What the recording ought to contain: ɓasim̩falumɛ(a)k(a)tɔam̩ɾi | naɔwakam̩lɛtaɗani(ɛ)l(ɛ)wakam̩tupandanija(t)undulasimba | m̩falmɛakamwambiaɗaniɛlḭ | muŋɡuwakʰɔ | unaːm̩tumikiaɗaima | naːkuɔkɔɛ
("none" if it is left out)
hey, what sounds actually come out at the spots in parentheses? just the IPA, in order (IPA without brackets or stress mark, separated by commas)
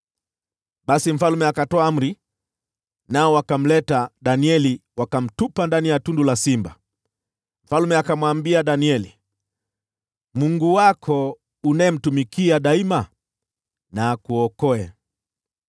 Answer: a, a, ɛ, i, t